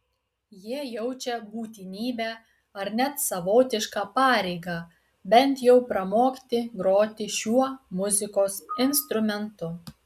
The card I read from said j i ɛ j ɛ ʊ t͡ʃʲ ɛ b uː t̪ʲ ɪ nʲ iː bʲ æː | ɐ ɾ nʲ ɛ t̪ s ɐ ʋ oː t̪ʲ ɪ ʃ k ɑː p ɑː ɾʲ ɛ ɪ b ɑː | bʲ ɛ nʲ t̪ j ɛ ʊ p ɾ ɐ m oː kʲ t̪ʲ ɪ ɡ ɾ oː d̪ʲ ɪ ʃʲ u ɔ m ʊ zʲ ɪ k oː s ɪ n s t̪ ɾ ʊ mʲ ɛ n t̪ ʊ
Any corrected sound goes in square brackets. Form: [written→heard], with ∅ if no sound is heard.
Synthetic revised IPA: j i ɛ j ɛ ʊ t͡ʃʲ ɛ b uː t̪ʲ ɪ nʲ iː bʲ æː | ɐ ɾ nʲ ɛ t̪ s ɐ ʋ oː t̪ʲ ɪ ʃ k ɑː p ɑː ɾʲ ɛ ɪ [b→ɡ] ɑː | bʲ ɛ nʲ t̪ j ɛ ʊ p ɾ ɐ m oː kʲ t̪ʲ ɪ ɡ ɾ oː [d̪ʲ→t̪ʲ] ɪ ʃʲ u ɔ m ʊ zʲ ɪ k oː s ɪ n s t̪ ɾ ʊ mʲ ɛ n t̪ ʊ